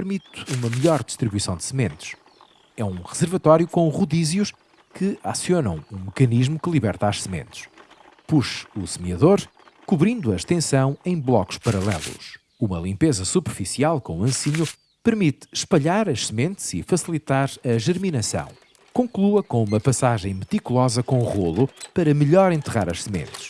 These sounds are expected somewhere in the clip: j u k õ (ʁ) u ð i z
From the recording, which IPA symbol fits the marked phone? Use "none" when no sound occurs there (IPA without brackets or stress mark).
ʁ